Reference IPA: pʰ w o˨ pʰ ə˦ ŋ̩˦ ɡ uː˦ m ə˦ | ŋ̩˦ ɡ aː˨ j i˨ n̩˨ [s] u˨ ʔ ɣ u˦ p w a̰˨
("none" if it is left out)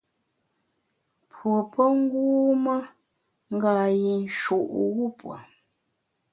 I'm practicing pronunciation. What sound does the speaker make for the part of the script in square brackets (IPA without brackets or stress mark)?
ʃ